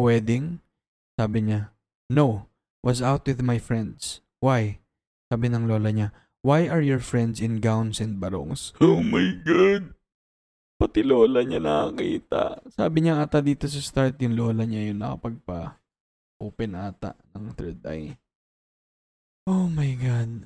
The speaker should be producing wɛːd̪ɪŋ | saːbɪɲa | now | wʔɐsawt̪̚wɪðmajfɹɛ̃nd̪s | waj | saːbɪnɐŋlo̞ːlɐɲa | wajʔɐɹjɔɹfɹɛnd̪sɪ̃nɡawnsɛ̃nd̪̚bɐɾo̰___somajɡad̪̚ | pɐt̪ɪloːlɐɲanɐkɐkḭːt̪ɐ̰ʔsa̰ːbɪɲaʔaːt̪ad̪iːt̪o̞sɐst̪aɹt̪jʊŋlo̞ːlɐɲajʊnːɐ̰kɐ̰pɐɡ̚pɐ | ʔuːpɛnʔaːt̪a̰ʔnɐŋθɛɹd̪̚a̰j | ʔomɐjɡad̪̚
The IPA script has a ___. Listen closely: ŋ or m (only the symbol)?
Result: ŋ